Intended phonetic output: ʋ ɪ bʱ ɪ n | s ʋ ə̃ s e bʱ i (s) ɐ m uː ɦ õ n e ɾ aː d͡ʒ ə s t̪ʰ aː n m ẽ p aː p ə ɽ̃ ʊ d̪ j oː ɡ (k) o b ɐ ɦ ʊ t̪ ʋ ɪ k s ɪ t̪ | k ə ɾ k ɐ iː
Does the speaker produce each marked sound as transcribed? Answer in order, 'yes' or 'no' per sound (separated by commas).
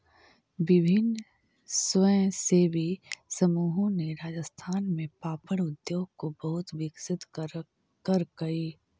yes, yes